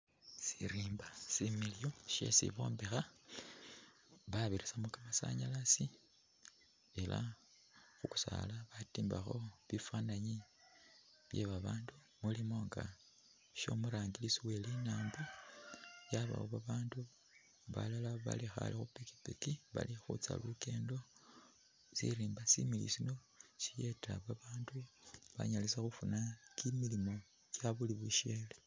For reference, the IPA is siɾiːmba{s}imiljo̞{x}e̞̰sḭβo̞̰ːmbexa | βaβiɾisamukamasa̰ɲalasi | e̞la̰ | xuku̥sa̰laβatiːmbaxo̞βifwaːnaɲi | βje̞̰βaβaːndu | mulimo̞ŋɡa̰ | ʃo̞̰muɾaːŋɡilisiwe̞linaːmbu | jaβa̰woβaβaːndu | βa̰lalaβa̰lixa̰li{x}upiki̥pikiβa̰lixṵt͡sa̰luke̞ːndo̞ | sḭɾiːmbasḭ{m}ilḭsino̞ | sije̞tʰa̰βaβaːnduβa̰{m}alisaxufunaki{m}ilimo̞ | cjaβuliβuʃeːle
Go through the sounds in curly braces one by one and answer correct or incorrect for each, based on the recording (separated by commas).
correct, incorrect, correct, correct, incorrect, correct